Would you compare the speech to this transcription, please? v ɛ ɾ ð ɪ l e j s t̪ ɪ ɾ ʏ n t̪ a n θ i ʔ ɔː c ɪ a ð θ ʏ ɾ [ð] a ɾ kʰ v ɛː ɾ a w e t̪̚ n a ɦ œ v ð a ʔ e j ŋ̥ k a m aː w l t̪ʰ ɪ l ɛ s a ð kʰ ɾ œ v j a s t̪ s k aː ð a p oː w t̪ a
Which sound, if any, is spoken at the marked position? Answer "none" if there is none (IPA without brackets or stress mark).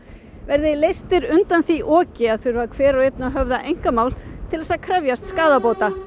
v